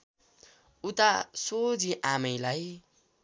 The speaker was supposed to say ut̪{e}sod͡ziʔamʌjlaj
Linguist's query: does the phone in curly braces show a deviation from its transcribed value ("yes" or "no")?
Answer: yes